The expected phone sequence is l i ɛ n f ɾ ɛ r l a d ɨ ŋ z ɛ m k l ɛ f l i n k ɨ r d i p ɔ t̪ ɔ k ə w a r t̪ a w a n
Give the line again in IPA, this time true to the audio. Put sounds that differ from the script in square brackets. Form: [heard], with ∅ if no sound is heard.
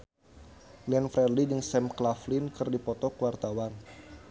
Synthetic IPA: l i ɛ n f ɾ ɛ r l [i] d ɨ ŋ [s] ɛ m k l [a] f l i n k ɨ r d i p ɔ t̪ ɔ k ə w a r t̪ a w a n